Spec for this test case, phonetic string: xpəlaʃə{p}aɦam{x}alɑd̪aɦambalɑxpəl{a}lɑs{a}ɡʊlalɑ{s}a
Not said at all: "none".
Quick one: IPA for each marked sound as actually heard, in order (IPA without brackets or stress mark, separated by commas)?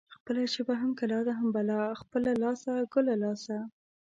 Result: b, k, a, a, s